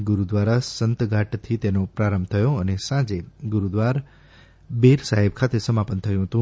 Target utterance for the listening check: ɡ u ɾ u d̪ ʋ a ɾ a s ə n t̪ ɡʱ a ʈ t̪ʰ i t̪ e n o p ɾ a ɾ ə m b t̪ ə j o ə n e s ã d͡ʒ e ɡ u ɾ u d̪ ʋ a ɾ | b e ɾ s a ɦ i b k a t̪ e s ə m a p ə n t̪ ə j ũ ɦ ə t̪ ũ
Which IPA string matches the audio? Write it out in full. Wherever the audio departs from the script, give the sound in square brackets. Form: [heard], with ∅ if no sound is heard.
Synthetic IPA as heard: ɡ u ɾ u d̪ ʋ a ɾ a s ə n t̪ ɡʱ a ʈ t̪ʰ i t̪ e n o p ɾ a ɾ ə m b [t̪ʰ] ə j o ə n e s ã d͡ʒ e ɡ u ɾ u d̪ ʋ a ɾ | b e ɾ s a ɦ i b [kʰ] a t̪ e s ə m a p ə n [t̪ʰ] ə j ũ ɦ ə t̪ ũ